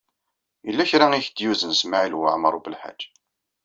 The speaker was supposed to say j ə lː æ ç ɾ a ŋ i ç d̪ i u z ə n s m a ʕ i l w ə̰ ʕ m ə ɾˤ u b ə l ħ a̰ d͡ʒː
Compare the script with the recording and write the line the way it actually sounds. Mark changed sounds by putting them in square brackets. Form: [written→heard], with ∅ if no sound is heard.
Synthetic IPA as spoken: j ə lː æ ç ɾ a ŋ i ç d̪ [i→j] u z ə n s m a ʕ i l w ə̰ ʕ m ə ɾˤ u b ə l ħ a̰ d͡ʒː